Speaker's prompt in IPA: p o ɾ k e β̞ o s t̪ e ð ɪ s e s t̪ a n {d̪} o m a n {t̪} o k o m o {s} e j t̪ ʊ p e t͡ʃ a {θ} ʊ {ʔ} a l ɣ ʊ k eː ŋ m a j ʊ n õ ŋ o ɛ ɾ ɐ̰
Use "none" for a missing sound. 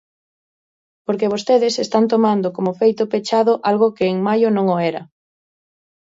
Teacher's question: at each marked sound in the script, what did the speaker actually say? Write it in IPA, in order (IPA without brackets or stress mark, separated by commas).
t̪, d̪, f, ð, ʔ